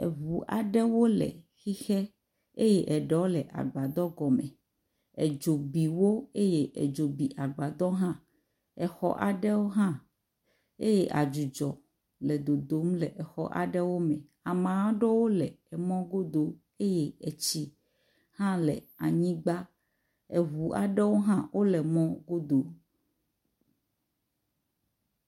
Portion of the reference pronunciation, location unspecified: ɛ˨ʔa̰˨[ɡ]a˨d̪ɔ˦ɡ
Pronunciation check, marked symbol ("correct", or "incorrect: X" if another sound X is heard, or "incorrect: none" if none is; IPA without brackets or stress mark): incorrect: ɡ͡b